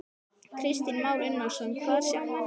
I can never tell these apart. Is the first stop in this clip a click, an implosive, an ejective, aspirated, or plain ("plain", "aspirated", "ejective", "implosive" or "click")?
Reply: aspirated